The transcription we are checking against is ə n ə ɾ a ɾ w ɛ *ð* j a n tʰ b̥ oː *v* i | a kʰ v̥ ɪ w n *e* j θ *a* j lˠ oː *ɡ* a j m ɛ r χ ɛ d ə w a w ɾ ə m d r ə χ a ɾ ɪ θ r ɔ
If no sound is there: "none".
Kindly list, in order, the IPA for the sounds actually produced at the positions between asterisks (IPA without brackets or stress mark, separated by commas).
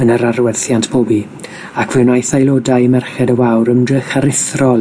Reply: θ, b, a, a, d